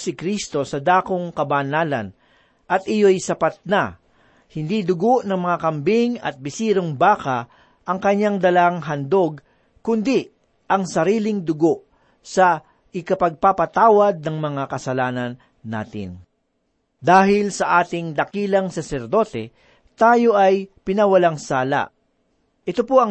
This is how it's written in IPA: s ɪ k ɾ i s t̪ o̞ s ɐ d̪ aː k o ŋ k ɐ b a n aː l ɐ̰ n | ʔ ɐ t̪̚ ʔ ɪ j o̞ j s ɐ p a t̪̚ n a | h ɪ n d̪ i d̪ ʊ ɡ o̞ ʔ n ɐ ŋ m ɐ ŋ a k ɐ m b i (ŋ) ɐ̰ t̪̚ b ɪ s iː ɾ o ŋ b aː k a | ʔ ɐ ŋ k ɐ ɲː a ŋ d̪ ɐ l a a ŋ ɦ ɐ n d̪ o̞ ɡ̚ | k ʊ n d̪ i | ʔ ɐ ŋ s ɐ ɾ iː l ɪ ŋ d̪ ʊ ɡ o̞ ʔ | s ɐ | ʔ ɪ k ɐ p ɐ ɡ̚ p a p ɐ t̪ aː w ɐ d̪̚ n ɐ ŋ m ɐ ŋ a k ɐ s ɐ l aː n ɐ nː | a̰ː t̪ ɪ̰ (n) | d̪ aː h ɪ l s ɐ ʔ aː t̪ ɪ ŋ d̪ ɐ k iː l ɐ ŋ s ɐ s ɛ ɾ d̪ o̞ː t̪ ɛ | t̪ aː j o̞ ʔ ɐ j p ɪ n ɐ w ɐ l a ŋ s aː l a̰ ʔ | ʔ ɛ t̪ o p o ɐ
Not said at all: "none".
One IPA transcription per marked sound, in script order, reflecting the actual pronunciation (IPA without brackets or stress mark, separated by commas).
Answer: ŋ, n